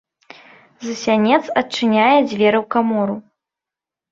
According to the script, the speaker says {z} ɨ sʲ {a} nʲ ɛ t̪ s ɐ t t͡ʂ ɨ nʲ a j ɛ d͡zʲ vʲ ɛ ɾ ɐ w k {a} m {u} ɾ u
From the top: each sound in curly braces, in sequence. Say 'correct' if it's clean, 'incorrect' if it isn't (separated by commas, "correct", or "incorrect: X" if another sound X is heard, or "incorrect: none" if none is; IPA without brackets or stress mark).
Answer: correct, correct, correct, incorrect: ɔ